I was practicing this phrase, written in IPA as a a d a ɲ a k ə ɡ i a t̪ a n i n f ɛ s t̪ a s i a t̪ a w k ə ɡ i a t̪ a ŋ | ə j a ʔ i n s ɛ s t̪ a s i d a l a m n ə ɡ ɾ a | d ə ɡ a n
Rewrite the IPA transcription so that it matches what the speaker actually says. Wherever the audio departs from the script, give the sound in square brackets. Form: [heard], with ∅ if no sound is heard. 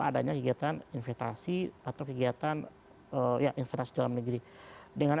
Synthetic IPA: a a d a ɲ a k ə ɡ i a t̪ a n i n f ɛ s t̪ a s i a t̪ a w k ə ɡ i a t̪ a [n] | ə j a ʔ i n [f] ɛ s t̪ a s i d a l a m n ə ɡ ɾ [i] | d ə [ŋ] a n